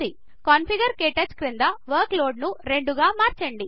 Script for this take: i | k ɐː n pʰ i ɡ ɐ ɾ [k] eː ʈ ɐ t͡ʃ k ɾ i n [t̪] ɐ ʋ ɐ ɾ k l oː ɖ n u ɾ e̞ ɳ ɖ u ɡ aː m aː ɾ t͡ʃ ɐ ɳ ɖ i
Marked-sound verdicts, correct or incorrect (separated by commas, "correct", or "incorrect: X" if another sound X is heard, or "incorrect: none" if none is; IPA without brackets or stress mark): correct, incorrect: d̪